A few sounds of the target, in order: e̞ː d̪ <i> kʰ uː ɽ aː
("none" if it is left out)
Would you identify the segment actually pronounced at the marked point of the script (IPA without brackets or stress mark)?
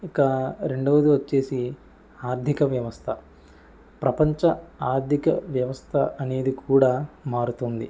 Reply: i